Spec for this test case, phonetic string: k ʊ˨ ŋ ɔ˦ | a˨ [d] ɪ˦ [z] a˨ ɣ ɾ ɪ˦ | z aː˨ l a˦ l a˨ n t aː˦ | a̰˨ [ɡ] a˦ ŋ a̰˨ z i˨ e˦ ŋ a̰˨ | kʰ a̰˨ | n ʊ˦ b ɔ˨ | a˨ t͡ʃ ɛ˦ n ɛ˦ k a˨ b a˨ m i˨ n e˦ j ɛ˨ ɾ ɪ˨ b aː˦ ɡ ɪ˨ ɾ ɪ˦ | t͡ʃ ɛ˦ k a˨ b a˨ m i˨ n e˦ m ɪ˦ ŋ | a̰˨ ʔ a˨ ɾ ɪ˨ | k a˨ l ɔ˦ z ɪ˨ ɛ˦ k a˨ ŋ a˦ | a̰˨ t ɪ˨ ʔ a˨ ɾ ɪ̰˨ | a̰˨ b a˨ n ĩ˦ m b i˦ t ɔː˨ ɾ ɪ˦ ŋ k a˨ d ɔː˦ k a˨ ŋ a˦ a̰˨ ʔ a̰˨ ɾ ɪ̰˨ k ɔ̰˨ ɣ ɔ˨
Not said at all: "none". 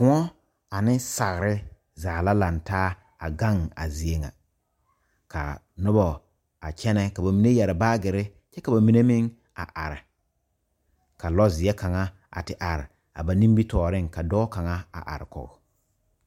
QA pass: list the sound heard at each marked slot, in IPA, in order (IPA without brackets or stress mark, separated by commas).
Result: n, s, ɡ